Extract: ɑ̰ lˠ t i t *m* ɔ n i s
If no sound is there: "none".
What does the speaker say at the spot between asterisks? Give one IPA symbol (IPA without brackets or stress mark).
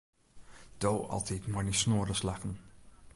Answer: m